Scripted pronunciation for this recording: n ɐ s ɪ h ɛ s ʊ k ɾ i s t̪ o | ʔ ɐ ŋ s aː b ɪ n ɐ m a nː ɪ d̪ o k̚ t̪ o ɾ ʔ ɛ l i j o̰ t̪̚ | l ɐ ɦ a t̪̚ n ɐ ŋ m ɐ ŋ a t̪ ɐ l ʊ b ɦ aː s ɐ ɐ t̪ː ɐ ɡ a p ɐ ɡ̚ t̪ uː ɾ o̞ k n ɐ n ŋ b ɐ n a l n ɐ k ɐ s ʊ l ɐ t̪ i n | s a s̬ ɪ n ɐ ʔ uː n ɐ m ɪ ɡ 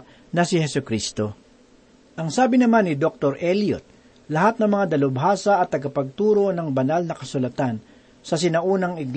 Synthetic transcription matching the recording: n ɐ s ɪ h ɛ s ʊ k ɾ i s t̪ o | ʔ ɐ ŋ s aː b ɪ n ɐ m a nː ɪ d̪ o k̚ t̪ o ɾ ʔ ɛ l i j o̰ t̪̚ | l ɐ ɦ a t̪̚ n ɐ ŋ m ɐ ŋ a d̪ ɐ l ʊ b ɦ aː s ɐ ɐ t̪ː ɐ ɡ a p ɐ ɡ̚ t̪ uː ɾ o̞ n ɐ ŋ b ɐ n a l n ɐ k ɐ s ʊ l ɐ t̪ a n | s ɐ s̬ ɪ n ɐ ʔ uː n ɐ ŋ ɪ ɡ